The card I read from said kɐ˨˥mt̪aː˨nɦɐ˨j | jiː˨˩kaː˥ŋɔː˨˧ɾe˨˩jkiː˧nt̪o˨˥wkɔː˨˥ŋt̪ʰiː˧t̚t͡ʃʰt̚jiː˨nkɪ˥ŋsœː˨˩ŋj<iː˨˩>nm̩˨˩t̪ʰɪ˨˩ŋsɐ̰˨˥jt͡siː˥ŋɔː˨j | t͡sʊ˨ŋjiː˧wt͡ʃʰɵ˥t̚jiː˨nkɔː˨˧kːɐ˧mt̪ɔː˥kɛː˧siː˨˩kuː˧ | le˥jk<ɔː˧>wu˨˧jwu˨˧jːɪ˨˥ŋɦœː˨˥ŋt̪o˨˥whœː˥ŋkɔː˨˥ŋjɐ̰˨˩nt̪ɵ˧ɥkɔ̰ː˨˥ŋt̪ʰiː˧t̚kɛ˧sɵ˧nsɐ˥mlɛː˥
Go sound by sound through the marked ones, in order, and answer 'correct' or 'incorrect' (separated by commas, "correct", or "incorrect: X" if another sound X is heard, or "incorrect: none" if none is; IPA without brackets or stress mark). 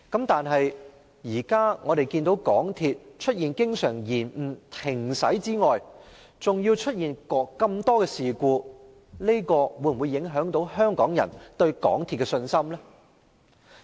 correct, correct